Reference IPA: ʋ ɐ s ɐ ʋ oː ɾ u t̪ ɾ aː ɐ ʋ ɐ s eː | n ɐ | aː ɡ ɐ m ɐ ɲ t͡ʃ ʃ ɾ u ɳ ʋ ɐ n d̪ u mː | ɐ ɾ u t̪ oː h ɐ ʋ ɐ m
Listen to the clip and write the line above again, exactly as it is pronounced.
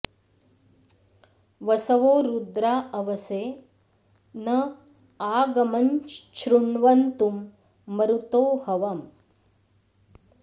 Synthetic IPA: ʋ ɐ s ɐ ʋ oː ɾ u d̪ ɾ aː ɐ ʋ ɐ s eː | n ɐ | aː ɡ ɐ m ɐ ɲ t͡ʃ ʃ ɾ u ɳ ʋ ɐ n t̪ u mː | ɐ ɾ u t̪ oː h ɐ ʋ ɐ m